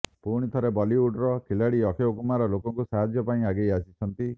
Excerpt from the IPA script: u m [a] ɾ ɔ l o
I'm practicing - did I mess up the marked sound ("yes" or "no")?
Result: no